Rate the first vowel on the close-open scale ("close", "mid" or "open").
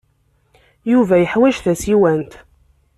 close